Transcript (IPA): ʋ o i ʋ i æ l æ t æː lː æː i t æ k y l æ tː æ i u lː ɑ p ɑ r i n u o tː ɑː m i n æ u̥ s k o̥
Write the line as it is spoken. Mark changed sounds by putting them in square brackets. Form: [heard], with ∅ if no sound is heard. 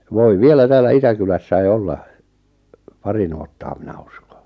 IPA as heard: ʋ o i ʋ i [e] l æ t æː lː [æ] i t æ k y l æ [sː] æ i [o] lː ɑ p ɑ r i n u o tː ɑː m i n æ u̥ s k o̥